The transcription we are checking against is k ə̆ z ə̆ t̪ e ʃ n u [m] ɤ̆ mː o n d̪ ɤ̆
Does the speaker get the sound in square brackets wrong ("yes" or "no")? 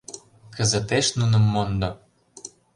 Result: yes